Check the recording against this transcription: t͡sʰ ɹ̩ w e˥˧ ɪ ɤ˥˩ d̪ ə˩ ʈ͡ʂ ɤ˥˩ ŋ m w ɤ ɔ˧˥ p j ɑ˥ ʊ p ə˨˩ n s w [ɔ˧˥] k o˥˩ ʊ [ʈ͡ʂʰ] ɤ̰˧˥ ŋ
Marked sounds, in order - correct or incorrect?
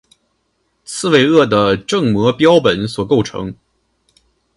incorrect, correct

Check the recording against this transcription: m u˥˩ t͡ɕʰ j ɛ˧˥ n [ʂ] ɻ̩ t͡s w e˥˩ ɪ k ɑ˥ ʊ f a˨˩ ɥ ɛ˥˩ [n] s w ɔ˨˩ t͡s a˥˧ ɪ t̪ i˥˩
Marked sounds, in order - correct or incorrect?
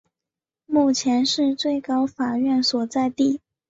correct, correct

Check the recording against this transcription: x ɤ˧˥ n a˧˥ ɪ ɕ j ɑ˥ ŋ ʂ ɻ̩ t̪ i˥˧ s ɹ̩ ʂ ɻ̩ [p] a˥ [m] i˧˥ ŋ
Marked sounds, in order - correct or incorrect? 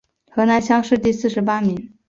correct, correct

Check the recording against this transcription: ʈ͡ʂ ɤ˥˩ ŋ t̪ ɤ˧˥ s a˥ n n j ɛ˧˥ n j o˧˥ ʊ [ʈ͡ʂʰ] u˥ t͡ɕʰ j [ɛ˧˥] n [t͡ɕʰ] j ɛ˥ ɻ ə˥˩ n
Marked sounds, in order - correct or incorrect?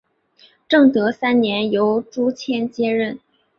incorrect, incorrect, incorrect

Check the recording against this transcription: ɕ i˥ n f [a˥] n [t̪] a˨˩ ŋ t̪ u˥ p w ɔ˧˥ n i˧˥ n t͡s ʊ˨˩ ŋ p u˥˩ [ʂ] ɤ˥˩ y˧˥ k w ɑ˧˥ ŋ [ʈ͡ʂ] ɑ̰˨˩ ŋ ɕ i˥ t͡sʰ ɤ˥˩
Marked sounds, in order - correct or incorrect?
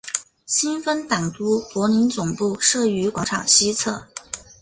incorrect, correct, correct, incorrect

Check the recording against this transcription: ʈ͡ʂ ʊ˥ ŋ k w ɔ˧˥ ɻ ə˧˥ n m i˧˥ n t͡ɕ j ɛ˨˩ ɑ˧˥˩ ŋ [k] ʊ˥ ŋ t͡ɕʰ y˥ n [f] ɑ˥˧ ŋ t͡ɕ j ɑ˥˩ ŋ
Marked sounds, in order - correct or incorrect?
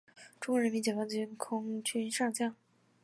incorrect, incorrect

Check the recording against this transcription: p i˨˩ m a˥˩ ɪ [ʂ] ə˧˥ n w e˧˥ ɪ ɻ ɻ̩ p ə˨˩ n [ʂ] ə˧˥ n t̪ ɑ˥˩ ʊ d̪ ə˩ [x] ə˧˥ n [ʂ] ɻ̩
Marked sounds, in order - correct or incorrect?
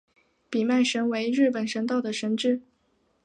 correct, correct, incorrect, incorrect

